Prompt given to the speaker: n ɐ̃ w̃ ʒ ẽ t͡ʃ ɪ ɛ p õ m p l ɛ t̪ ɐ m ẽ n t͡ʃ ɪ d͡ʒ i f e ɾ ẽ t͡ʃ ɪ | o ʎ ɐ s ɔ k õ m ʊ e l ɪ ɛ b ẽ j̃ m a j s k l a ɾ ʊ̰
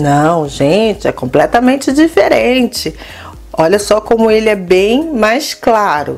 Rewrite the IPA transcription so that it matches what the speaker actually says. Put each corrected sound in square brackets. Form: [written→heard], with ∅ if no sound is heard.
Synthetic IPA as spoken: n ɐ̃ w̃ ʒ ẽ t͡ʃ ɪ ɛ [p→k] õ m p l ɛ t̪ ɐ m ẽ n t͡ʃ ɪ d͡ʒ i f e ɾ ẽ t͡ʃ ɪ | [o→ɔ] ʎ ɐ s ɔ k õ m ʊ e l ɪ ɛ b ẽ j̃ m a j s k l a ɾ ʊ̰

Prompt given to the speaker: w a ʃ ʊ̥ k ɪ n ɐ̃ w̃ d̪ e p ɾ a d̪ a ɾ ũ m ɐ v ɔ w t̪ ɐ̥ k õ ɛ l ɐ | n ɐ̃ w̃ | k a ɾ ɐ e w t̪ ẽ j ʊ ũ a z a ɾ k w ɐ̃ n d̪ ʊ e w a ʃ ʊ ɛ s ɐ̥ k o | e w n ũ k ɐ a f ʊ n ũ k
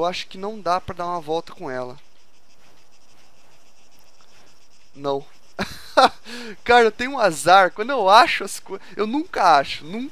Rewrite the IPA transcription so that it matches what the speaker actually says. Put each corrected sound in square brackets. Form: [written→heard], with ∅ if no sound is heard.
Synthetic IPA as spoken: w a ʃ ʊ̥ k ɪ n ɐ̃ w̃ d̪ [e→a] p ɾ [a→ɐ] d̪ a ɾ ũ m ɐ v ɔ w t̪ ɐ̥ k õ ɛ l ɐ | n ɐ̃ w̃ | k a ɾ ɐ e w t̪ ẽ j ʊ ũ a z a ɾ k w ɐ̃ n d̪ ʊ e w a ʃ ʊ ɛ s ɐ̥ k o | e w n ũ k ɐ a [f→ʃ] ʊ n ũ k

